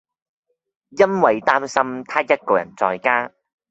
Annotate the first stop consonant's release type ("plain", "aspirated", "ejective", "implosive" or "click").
plain